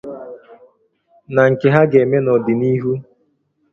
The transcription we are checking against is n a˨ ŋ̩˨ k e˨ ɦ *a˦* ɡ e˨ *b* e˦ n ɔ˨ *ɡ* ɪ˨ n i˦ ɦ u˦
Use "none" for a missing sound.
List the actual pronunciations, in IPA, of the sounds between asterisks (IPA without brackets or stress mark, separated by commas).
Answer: a˦, m, d